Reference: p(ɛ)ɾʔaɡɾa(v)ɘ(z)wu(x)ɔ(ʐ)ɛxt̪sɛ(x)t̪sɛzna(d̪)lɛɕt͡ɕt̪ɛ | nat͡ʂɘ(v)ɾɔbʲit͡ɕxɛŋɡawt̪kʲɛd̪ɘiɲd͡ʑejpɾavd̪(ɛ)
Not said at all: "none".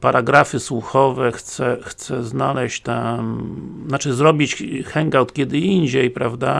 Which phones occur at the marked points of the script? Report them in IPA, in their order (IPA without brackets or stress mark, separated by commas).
a, f, s, x, v, x, none, z, a